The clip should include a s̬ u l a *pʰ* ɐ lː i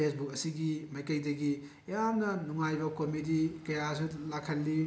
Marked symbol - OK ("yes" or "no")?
no